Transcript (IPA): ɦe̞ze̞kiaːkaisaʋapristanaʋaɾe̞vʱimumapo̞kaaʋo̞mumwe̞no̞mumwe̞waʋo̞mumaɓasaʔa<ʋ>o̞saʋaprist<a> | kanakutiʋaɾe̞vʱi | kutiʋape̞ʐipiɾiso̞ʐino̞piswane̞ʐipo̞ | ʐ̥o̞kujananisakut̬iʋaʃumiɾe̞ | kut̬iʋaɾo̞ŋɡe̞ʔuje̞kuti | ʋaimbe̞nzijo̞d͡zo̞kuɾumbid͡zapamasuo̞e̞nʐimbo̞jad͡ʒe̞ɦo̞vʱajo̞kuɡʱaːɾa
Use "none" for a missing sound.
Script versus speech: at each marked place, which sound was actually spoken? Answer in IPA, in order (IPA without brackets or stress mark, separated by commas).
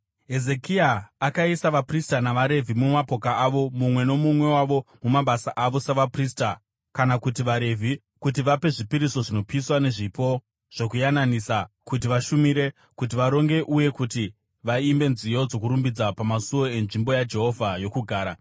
ʋ, a